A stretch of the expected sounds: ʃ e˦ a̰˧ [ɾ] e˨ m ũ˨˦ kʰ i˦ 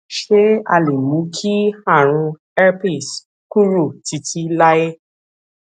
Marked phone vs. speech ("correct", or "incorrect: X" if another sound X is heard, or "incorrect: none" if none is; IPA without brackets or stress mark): incorrect: l